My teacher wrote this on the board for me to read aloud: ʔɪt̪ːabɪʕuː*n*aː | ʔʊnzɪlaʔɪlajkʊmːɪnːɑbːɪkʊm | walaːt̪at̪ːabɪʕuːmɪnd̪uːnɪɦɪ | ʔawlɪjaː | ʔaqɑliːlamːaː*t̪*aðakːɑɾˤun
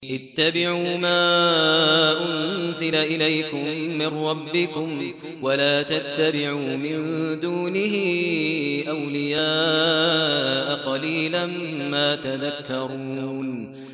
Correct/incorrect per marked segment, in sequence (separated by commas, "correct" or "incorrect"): incorrect, correct